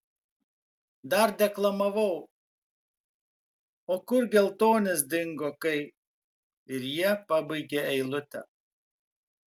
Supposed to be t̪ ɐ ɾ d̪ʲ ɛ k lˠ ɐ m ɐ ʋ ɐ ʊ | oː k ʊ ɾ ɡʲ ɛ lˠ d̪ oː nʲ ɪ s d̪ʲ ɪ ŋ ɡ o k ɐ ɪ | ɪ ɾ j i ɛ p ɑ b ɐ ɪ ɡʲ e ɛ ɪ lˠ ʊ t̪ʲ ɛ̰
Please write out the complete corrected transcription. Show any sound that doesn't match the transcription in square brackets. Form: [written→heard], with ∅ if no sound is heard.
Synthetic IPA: [t̪→d̪] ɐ ɾ d̪ʲ ɛ k lˠ ɐ m ɐ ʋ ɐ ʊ | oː k ʊ ɾ ɡʲ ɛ lˠ [d̪→t̪] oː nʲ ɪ s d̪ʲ ɪ ŋ ɡ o k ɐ ɪ | ɪ ɾ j i ɛ p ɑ b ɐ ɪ ɡʲ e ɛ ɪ lˠ ʊ t̪ʲ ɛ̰

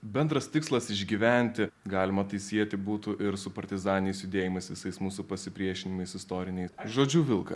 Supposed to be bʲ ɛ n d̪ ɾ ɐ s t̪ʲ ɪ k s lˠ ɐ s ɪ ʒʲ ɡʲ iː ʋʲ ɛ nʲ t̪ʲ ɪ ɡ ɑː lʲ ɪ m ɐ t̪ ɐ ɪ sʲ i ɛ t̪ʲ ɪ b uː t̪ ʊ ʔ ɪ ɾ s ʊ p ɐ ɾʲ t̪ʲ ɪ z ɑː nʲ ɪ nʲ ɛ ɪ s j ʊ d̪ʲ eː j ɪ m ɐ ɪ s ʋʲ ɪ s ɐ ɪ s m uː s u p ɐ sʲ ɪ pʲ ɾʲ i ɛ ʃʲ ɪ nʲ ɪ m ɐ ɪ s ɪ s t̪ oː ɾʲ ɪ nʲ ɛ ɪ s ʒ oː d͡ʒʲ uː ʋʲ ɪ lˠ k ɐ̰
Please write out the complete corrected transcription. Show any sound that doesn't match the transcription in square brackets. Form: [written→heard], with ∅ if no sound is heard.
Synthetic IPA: bʲ ɛ n d̪ ɾ ɐ s t̪ʲ ɪ k s lˠ ɐ s ɪ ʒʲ ɡʲ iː ʋʲ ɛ nʲ t̪ʲ ɪ ɡ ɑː lʲ ɪ m ɐ t̪ ɐ ɪ sʲ i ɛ t̪ʲ ɪ b uː t̪ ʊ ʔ ɪ ɾ s ʊ p ɐ ɾʲ t̪ʲ ɪ z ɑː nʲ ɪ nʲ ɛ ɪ s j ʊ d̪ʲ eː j ɪ m ɐ ɪ s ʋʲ ɪ s ɐ ɪ s m uː s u p ɐ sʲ ɪ pʲ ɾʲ i ɛ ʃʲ ɪ nʲ ɪ m ɐ ɪ s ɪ s t̪ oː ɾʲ ɪ nʲ ɛ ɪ s ʒ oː d͡ʒʲ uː ʋʲ ɪ lˠ k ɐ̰

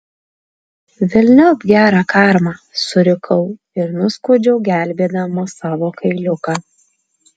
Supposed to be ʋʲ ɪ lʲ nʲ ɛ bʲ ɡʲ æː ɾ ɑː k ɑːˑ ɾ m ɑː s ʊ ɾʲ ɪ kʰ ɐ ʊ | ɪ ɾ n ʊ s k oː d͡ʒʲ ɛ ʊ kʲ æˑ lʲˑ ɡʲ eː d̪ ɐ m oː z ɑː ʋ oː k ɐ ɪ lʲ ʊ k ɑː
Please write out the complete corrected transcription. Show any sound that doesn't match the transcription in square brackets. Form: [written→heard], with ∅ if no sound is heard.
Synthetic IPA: ʋʲ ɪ lʲ nʲ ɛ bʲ ɡʲ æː ɾ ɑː k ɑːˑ ɾ m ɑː s ʊ ɾʲ ɪ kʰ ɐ ʊ | ɪ ɾ n ʊ s k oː d͡ʒʲ ɛ ʊ [kʲ→ɡʲ] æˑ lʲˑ [ɡʲ→bʲ] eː d̪ ɐ m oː [z→s] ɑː ʋ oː k ɐ ɪ lʲ ʊ k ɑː

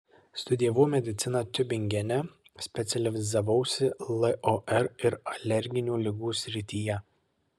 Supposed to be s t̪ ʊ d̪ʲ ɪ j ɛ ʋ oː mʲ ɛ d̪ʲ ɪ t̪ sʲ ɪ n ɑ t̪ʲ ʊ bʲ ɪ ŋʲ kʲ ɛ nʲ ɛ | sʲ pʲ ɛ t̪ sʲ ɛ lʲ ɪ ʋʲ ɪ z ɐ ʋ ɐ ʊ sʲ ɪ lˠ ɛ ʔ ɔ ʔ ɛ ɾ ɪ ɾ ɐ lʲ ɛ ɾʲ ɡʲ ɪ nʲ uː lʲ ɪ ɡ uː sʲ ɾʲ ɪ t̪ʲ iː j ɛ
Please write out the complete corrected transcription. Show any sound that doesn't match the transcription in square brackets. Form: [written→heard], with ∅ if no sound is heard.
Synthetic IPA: s t̪ ʊ d̪ʲ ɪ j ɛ ʋ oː mʲ ɛ d̪ʲ ɪ t̪ sʲ ɪ n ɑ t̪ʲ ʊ bʲ ɪ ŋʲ [kʲ→ɡʲ] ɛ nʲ ɛ | sʲ pʲ ɛ t̪ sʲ ɛ lʲ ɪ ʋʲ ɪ z ɐ ʋ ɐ ʊ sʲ ɪ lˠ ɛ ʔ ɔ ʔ ɛ ɾ ɪ ɾ ɐ lʲ ɛ ɾʲ ɡʲ ɪ nʲ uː lʲ ɪ ɡ uː sʲ ɾʲ ɪ t̪ʲ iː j ɛ

